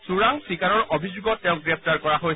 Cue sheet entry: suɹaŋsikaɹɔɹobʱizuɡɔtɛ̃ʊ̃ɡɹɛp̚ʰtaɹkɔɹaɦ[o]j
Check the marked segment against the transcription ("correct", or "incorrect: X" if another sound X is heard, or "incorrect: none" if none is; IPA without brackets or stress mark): correct